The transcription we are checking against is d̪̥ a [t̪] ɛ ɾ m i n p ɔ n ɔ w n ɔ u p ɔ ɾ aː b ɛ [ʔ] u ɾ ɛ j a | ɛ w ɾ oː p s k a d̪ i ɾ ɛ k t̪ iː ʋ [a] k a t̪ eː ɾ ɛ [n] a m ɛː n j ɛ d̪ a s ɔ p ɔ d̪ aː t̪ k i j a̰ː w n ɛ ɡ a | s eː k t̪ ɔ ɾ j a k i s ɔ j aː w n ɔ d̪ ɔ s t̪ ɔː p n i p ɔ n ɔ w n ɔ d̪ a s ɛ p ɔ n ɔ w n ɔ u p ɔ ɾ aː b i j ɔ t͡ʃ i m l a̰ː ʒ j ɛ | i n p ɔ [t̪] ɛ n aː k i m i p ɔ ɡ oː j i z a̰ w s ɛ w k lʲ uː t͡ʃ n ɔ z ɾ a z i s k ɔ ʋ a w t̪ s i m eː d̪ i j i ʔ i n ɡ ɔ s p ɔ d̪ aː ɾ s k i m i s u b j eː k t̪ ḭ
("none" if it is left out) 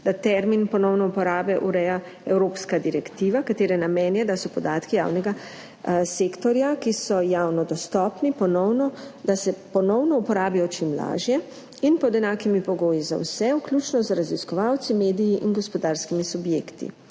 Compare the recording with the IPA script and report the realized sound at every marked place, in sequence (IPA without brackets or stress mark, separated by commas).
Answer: t̪, ʔ, a, n, d̪